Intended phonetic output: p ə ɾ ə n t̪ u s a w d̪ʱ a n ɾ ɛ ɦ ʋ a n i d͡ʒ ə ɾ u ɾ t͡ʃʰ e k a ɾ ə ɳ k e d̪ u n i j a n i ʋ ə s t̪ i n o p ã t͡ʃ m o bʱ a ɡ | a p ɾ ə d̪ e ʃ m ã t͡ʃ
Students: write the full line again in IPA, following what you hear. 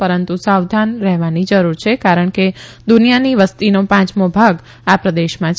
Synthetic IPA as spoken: p ə ɾ ə n t̪ u s a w d̪ʱ a n ɾ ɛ ɦ ʋ a n i d͡ʒ ə ɾ u ɾ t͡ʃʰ e k a ɾ ə ɳ k e d̪ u n i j a n i ʋ ə s t̪ i n o p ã t͡ʃ m o bʱ a ɡ | a p ɾ ə d̪ e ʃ m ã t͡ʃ